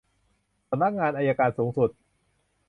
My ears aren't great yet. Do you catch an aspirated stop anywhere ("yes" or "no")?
no